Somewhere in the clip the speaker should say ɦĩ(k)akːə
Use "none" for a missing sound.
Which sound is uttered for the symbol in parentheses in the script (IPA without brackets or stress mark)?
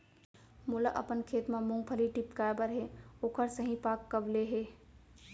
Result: p